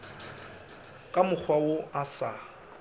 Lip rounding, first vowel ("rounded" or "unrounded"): unrounded